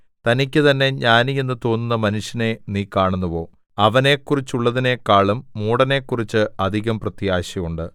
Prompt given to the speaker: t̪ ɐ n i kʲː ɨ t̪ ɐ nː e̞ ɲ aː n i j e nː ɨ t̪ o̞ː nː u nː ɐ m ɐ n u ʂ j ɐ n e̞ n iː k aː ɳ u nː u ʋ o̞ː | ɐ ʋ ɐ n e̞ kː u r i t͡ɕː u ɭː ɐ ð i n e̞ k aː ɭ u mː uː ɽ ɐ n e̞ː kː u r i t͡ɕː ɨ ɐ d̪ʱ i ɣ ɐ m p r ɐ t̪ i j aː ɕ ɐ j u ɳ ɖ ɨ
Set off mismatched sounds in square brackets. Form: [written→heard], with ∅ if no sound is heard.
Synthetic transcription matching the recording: t̪ ɐ n i kʲː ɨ t̪ ɐ nː e̞ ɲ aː n i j e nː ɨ t̪ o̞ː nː u nː ɐ m ɐ n u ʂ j ɐ n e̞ n iː k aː ɳ u nː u ʋ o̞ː | ɐ ʋ ɐ n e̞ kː u r i t͡ɕː u ɭː ɐ ð i n e̞ k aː ɭ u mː uː ɽ ɐ n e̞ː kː u r i t͡ɕː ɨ ɐ d̪ʱ i ɣ ɐ m p r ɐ t̪ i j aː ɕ ɐ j u ɳ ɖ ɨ